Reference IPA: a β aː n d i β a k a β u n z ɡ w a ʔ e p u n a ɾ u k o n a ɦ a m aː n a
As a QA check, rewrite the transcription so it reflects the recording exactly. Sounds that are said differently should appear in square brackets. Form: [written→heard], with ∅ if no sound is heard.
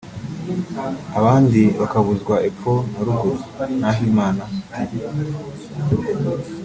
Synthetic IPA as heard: a β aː n d i β a k a β u [n→∅] z ɡ w a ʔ e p [u→o] n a ɾ u [k→ɡ] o n a ɦ [a→i] m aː n a

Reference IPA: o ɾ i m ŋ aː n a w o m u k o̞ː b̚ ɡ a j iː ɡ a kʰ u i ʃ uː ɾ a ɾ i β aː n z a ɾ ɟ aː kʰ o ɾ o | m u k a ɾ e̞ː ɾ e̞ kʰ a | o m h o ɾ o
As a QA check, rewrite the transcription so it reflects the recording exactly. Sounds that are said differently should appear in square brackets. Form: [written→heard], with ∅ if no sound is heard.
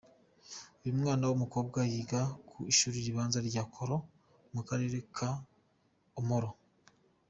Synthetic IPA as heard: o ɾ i m ŋ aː n a w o m u k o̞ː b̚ ɡ a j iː ɡ a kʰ u i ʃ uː ɾ [a→i] ɾ i β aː n z a ɾ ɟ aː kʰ o ɾ o | m u k a ɾ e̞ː ɾ e̞ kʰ a | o m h o ɾ o

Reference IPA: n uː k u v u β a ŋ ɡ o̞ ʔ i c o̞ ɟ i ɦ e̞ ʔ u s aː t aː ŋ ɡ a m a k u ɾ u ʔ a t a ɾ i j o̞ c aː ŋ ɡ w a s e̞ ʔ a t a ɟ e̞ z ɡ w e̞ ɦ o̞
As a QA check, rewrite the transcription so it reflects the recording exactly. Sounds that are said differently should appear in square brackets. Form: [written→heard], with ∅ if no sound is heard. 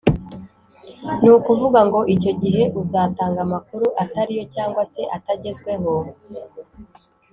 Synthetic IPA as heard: n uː k u v u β a ŋ ɡ o̞ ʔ i c o̞ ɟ i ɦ e̞ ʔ u [s→z] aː t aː ŋ ɡ a m a k u ɾ u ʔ a t a ɾ i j o̞ c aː ŋ ɡ w a s e̞ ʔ a t a ɟ e̞ z ɡ w e̞ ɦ o̞

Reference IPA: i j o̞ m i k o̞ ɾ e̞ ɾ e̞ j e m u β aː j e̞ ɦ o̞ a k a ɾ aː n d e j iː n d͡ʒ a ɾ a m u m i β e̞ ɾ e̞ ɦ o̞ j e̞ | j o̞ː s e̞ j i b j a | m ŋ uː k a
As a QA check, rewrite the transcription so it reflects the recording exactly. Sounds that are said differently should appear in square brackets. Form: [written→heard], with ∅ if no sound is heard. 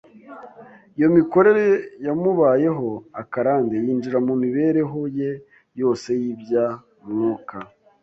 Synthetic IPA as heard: i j o̞ m i k o̞ ɾ e̞ ɾ e̞ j [e→a] m u β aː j e̞ ɦ o̞ a k a ɾ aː n d e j iː n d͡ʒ [a→i] ɾ a m u m i β e̞ ɾ e̞ ɦ o̞ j e̞ | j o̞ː s e̞ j i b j a | m ŋ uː k a

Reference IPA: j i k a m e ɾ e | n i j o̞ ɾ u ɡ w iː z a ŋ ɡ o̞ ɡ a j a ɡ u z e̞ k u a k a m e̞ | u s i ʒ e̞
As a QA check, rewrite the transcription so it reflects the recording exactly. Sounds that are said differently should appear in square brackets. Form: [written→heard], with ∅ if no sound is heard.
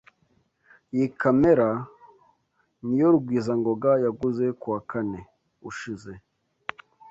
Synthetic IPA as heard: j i k a m e ɾ [e→a] | n i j o̞ ɾ u ɡ w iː z a ŋ ɡ o̞ ɡ a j a ɡ u z e̞ k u a k a [m→n] e̞ | u [s→ʃ] i [ʒ→z] e̞

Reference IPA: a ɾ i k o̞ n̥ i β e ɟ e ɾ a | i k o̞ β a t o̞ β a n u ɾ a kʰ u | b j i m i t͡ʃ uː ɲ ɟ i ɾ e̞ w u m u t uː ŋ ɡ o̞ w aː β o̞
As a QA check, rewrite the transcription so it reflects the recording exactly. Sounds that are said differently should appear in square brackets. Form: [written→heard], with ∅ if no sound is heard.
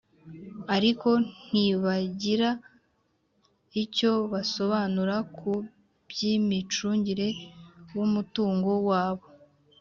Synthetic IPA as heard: a ɾ i k o̞ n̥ i β [e→a] ɟ [e→i] ɾ a | i [k→c] o̞ β a [t→s] o̞ β a n u ɾ a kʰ u | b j i m i t͡ʃ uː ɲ ɟ i ɾ e̞ w u m u t uː ŋ ɡ o̞ w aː β o̞

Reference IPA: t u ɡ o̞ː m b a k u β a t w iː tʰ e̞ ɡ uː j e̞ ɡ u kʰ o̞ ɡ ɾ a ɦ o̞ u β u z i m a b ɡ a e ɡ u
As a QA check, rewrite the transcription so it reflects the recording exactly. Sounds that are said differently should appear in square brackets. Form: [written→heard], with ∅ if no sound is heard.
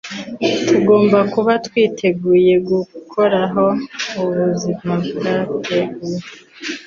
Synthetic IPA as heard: t u ɡ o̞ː m b a k u β a t w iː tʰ e̞ ɡ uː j e̞ ɡ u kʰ o̞ [ɡ→∅] ɾ a ɦ o̞ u β u z i m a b ɡ a e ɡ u

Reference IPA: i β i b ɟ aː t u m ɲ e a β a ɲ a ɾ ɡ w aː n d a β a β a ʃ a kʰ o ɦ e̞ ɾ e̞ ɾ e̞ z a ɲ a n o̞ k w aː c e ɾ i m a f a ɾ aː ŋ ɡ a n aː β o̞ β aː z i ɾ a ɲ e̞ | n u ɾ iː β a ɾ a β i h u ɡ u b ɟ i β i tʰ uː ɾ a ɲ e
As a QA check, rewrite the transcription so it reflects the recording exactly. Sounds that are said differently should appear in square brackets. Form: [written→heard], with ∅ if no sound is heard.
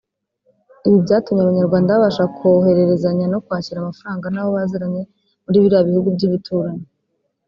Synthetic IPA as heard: i β i b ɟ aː t u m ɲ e a β a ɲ a ɾ ɡ w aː n d a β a β a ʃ a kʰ o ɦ e̞ ɾ e̞ ɾ e̞ z a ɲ a n o̞ k w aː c [e→i] ɾ [i→a] m a f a ɾ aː ŋ ɡ a n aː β o̞ β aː z i ɾ a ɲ e̞ | [n→m] u ɾ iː β [a→i] ɾ a β i h u ɡ u b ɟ i β i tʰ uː ɾ a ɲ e

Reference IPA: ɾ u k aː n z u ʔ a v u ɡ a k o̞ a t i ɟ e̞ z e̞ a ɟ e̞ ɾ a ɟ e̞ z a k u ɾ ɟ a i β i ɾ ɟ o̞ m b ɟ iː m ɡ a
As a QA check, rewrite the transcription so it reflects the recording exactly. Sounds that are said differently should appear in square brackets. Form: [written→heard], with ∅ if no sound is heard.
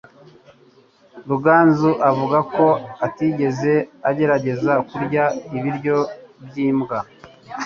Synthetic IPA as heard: ɾ u [k→ɡ] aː n z u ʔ a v u ɡ a k o̞ a t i ɟ e̞ z e̞ a ɟ e̞ ɾ a ɟ e̞ z a k u ɾ ɟ a i β i ɾ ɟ o̞ [m→∅] b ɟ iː m ɡ a

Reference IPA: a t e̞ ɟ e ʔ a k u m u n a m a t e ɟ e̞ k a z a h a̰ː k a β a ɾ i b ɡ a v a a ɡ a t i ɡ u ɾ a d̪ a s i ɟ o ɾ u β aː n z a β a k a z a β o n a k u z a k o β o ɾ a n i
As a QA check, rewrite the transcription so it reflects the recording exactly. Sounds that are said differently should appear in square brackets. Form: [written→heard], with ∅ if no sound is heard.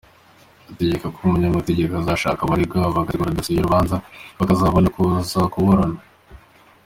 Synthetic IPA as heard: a t e̞ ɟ e [ʔ→k] a k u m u [n→ɲ] a m a t e ɟ e̞ k a z a [h→ʃ] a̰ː k a β a ɾ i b ɡ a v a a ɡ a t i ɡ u ɾ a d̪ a s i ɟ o ɾ u β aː n z a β a k a z a β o n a k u z a k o β o ɾ a n [i→a]

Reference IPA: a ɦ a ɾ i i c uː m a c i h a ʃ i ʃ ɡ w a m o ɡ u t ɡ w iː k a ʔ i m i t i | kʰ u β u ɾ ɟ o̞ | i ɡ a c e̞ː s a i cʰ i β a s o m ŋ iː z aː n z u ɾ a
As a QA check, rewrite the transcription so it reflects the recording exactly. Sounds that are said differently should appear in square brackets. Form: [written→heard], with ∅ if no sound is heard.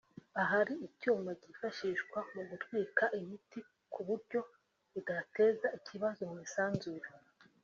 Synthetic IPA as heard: a ɦ a ɾ i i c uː m a [c→ɟ] i [h→f] a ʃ i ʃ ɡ w a m [o→u] ɡ u t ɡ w iː k a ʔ i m i t i | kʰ u β u ɾ ɟ o̞ | i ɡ a [c→t] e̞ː [s→z] a i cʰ i β a [s→z] o m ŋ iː [z→s] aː n z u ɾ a

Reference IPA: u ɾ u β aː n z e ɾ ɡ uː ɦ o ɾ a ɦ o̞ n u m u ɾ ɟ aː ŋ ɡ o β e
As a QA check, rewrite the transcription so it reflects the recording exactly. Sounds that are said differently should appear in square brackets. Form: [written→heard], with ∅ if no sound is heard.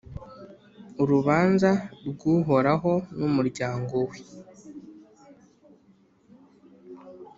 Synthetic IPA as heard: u ɾ u β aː n z [e→a] ɾ ɡ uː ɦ o ɾ a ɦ o̞ n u m u ɾ ɟ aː ŋ ɡ o [β→w] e

